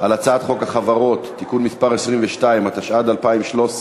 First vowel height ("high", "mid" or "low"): low